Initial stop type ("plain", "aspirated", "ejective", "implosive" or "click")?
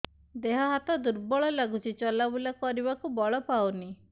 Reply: plain